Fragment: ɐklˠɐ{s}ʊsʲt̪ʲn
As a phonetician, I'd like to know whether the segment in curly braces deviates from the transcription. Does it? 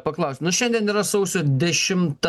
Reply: yes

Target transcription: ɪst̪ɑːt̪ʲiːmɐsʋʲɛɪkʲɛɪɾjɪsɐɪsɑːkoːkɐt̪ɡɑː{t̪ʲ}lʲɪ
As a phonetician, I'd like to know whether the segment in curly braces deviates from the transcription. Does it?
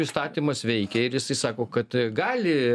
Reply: yes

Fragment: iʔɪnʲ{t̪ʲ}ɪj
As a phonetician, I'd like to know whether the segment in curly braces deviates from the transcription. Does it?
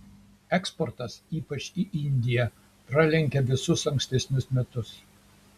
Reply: yes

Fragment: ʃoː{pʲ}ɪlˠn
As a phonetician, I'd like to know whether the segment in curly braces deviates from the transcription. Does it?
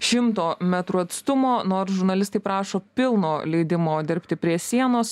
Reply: no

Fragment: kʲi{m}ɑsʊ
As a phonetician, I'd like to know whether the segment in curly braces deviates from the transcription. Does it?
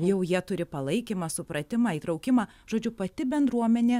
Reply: no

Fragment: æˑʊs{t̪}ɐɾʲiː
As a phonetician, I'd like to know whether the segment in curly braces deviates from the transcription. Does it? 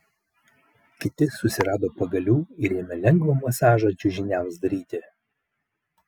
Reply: yes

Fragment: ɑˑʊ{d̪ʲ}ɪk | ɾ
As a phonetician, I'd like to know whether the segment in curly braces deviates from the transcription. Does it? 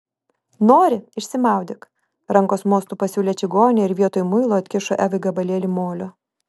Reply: no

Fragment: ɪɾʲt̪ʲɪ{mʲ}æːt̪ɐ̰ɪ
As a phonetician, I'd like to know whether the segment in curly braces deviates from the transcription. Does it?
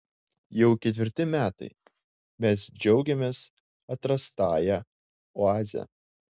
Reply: no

